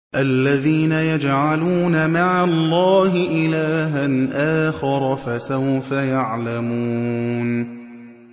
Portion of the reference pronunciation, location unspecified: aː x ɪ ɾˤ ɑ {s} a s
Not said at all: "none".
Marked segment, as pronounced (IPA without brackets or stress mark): f